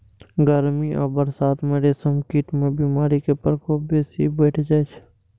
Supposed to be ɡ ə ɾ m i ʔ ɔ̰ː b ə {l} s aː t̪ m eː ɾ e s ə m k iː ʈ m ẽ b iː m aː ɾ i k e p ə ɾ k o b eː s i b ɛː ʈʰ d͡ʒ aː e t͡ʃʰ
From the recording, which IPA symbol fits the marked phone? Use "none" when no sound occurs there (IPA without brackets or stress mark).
ɾ